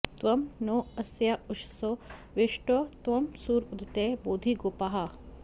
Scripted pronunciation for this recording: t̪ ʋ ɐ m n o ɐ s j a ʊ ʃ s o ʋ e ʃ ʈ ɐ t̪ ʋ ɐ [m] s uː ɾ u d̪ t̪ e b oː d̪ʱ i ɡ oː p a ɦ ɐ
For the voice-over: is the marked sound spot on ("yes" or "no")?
yes